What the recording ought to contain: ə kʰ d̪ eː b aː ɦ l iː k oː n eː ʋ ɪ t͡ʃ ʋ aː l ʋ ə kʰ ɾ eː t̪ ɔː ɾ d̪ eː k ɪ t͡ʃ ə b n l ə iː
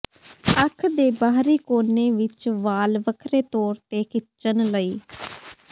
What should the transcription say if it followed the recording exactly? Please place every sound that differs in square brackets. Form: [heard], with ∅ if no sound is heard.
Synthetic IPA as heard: ə kʰ d̪ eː b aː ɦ [ɾ] iː k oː n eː ʋ ɪ t͡ʃ ʋ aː l ʋ ə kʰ ɾ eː t̪ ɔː ɾ [t̪] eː k ɪ t͡ʃ ə [∅] n l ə iː